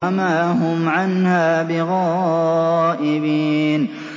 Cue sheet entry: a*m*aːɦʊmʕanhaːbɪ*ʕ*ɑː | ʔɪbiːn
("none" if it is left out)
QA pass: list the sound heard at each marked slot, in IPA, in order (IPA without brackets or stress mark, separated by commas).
m, ɣ